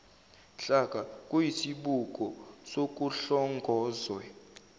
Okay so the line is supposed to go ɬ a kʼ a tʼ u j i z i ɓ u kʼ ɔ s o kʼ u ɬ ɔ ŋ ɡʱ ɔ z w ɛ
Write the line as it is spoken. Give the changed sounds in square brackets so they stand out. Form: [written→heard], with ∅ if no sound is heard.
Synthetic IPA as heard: ɬ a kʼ a [tʼ→kʼ] u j i [z→s] i ɓ u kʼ ɔ s o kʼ u ɬ ɔ ŋ ɡʱ [ɔ→ɔː] z w ɛ